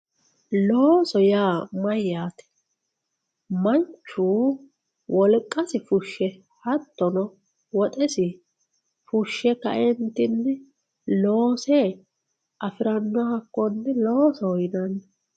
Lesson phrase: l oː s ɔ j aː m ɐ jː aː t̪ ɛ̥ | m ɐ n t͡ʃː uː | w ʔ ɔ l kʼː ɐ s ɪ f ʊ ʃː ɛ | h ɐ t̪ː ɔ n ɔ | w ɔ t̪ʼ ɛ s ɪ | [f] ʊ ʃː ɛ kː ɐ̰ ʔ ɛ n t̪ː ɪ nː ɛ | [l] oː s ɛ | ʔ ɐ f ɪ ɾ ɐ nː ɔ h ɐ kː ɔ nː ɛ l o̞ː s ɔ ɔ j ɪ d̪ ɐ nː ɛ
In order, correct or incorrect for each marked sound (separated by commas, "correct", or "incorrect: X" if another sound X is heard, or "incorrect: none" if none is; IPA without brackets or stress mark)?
correct, correct